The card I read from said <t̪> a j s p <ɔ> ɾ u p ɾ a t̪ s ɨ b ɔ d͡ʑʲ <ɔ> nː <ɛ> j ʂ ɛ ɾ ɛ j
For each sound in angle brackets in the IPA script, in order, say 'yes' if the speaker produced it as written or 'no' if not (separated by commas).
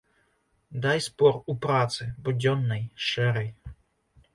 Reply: no, yes, yes, yes